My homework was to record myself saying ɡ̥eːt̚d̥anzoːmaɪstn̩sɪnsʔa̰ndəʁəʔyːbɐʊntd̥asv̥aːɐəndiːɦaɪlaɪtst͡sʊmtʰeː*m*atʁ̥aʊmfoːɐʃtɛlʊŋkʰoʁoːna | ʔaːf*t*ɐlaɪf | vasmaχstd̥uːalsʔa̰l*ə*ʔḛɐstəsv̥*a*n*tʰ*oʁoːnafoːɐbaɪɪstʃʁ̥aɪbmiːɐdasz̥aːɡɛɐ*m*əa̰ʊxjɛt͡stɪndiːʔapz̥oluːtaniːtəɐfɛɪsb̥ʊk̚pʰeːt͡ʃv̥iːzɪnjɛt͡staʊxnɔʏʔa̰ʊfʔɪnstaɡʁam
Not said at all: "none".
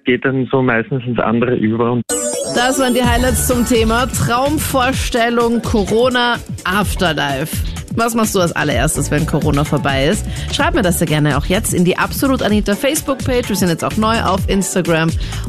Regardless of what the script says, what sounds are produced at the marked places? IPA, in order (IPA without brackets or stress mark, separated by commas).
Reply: m, t, ɐ, ɛ, kʰ, n